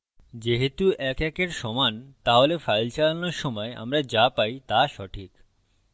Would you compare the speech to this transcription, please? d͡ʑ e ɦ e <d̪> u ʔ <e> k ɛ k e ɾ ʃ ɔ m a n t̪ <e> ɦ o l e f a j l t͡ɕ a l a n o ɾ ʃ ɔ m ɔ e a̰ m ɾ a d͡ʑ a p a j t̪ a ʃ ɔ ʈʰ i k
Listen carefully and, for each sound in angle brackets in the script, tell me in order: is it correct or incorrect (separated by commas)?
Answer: incorrect, incorrect, incorrect